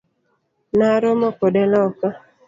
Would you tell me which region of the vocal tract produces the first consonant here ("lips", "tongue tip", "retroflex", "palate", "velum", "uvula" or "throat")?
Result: tongue tip